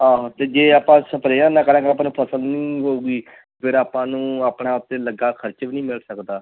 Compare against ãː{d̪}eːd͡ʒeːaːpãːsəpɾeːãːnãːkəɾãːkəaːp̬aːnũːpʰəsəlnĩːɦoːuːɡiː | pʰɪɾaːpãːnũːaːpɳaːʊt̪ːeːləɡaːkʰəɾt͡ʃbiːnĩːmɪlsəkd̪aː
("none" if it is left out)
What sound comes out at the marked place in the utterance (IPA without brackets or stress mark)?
t̪